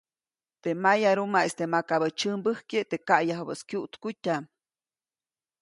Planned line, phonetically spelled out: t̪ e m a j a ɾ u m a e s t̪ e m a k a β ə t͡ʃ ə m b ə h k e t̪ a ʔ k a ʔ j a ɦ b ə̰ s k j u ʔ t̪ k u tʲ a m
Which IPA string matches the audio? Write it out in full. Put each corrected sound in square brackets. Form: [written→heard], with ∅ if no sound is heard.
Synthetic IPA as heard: t̪ e m a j a ɾ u m a e s t̪ e m a k a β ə t͡ʃ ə m b ə h k e t̪ [a→e] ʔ k a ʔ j a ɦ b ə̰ s k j u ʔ t̪ k u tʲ a m